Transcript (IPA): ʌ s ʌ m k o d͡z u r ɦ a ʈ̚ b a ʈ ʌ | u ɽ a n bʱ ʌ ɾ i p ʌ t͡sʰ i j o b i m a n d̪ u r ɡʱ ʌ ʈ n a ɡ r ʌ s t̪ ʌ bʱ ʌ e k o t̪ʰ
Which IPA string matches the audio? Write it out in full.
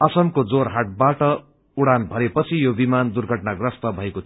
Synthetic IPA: ʌ s ʌ m k o d͡z o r ɦ a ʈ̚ b a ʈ ʌ | u ɽ a n bʱ ʌ ɾ e p ʌ t͡sʰ i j o b i m a n d̪ u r ɡʱ ʌ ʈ n a ɡ r ʌ s t̪ ʌ bʱ ʌ e k o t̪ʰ